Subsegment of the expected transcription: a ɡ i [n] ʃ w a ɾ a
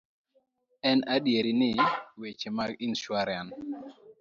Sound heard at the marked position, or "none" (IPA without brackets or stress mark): n